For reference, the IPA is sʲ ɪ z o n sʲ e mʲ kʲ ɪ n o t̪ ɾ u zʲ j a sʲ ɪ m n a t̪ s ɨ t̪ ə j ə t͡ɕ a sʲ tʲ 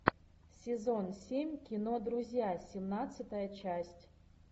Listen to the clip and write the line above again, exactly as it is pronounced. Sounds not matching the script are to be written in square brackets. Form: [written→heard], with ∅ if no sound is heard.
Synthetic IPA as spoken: sʲ ɪ z o n sʲ e mʲ kʲ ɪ n o [t̪→d̪] ɾ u zʲ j a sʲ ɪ m n a t̪ s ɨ t̪ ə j ə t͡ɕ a sʲ tʲ